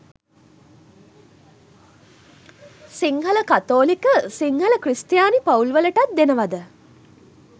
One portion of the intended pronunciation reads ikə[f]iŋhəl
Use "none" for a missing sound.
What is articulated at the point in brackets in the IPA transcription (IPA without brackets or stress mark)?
s